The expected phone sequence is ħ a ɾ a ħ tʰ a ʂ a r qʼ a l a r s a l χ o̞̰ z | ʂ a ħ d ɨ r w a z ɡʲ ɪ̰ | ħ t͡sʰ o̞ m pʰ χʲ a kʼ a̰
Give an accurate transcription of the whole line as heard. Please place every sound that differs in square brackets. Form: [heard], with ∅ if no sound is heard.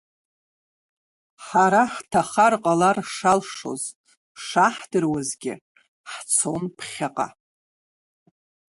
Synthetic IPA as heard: ħ a ɾ a ħ tʰ a [χ] a r qʼ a l a r [ʂ] a l [ʂ] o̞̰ z | ʂ a ħ d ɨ r w a z ɡʲ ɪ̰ | ħ t͡sʰ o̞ [n] pʰ χʲ a [qʼ] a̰

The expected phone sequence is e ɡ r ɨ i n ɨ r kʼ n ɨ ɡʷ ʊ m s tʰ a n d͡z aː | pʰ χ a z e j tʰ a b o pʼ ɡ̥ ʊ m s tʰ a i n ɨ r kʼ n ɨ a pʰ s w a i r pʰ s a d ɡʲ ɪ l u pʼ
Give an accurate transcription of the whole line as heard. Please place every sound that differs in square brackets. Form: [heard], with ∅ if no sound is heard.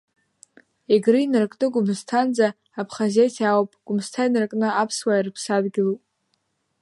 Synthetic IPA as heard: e ɡ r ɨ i n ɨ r kʼ n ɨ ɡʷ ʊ m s tʰ a n d͡z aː | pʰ χ a z e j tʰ a [w] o pʼ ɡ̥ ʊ m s tʰ a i n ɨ r kʼ n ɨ a pʰ s w a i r pʰ s a d ɡʲ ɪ l u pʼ

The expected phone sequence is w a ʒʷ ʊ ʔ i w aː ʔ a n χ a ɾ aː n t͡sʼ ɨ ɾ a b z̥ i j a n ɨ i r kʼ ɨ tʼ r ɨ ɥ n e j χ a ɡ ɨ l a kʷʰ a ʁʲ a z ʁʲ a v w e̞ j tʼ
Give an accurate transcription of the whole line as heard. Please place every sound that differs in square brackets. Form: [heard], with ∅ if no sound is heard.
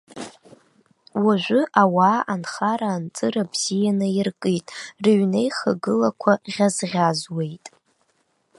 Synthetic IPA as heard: w a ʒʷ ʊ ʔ [a] w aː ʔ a n χ a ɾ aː n t͡sʼ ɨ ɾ a b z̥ i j a n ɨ i r kʼ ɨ tʼ r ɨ ɥ n e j χ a ɡ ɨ l a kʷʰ a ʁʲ a z ʁʲ a [z] w e̞ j tʼ

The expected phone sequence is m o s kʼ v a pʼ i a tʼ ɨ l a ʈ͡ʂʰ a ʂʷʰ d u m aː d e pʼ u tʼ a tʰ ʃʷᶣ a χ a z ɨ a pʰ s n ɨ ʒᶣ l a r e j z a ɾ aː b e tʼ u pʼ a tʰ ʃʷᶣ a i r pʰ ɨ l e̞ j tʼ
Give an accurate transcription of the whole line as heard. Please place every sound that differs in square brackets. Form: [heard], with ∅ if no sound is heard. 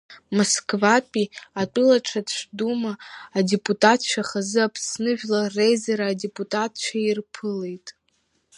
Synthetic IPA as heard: m o s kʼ v a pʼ i a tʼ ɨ l a ʈ͡ʂʰ a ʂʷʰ d u m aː d e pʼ u tʼ a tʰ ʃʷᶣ a χ a z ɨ a pʰ s n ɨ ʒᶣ l a r e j z a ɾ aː [d] e [pʼ] u [tʼ] a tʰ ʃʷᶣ a i r pʰ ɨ l e̞ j tʼ

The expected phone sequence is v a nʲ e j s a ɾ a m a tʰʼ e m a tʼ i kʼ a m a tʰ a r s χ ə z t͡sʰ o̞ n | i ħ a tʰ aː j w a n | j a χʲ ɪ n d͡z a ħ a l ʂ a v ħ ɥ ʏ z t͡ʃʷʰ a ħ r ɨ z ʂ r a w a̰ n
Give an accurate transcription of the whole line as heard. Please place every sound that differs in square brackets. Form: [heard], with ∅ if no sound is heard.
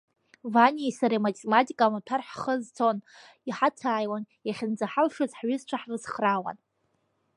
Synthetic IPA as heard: v a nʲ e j s a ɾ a m a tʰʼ e m a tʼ i kʼ a m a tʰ a r [ħ] χ ə z t͡sʰ o̞ n | i ħ a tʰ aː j w a n | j a χʲ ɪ n d͡z a ħ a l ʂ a [z] ħ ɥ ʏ z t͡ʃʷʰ a ħ r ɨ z [χ] r a w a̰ n

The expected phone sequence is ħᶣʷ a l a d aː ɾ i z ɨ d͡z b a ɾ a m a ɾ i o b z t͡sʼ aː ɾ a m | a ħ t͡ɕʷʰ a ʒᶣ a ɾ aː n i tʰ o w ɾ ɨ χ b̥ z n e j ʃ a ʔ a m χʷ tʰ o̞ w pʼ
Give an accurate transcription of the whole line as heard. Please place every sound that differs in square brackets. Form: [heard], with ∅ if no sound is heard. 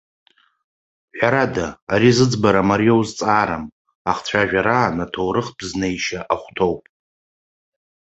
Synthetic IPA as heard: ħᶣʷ a [ɾ] a d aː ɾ i z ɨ d͡z b a ɾ a m a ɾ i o [w] z t͡sʼ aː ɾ a m | a [χ] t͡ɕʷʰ a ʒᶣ a ɾ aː n [a] tʰ o w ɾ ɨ χ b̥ z n e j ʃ a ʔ a [∅] χʷ tʰ o̞ w pʼ

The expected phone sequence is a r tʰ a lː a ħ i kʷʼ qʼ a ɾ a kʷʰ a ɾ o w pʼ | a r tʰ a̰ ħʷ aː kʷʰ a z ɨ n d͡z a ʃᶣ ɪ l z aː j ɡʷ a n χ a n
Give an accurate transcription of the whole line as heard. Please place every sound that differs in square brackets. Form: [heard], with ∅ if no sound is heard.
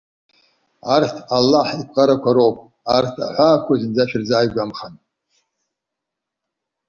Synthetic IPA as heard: a r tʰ a lː a ħ i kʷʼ qʼ a ɾ a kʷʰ a ɾ o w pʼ | a r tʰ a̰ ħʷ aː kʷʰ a z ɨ n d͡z a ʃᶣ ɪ [r] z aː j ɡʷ a [m] χ a n

